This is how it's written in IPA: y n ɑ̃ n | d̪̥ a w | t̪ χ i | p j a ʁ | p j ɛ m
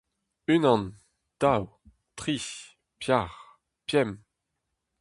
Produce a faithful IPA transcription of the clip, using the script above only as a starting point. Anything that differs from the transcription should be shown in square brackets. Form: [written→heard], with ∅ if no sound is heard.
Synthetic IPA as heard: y n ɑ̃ n | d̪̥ a w | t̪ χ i | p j a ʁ | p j ɛ m